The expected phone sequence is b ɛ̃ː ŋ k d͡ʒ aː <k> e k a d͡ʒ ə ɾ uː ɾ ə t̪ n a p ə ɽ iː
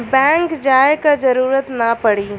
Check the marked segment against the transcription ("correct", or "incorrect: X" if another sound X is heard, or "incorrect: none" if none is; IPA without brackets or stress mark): incorrect: none